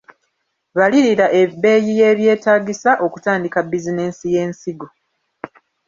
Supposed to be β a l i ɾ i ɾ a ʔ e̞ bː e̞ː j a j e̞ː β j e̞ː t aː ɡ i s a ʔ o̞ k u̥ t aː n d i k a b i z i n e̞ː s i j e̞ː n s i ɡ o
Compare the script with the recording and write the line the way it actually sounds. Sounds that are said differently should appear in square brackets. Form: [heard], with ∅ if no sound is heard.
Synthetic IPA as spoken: β a l i ɾ i ɾ a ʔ e̞ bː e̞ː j [i] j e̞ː β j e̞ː t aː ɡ i s a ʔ o̞ k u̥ t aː n d i k a b i z i n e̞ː s i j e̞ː n s i ɡ o

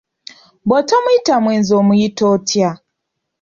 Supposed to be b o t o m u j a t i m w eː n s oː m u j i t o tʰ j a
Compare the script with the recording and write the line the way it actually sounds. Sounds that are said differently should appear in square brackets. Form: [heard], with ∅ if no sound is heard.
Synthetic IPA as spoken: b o t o m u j [i] t [a] m w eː n [z] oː m u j i t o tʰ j a

